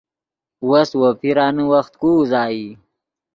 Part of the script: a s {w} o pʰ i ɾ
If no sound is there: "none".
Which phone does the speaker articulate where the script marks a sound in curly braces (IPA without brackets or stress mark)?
w